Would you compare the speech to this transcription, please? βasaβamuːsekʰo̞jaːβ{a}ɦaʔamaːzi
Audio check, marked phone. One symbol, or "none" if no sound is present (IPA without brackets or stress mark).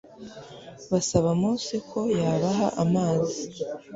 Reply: a